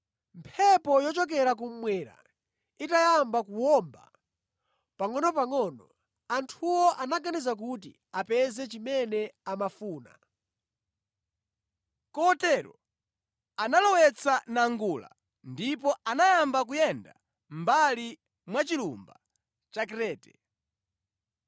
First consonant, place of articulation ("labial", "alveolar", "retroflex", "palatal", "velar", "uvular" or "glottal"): labial